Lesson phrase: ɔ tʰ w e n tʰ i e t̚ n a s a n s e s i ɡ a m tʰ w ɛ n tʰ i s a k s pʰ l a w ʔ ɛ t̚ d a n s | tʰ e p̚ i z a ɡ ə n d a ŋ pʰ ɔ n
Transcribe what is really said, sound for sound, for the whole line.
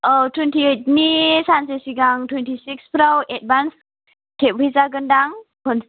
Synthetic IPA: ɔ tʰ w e n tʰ i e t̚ n i s a n s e s i ɡ a ŋ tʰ w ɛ n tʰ i s i k s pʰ ɾ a w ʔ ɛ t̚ b a n s | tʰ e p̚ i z a ɡ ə n d a ŋ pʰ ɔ n